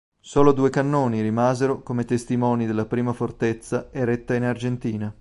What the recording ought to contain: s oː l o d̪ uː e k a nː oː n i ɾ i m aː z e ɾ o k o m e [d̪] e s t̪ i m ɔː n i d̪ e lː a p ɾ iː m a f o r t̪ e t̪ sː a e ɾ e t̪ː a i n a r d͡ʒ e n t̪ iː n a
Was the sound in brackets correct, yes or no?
no